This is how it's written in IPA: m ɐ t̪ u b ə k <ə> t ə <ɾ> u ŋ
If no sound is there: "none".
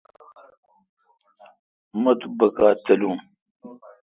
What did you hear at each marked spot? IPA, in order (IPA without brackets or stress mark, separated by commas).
a, l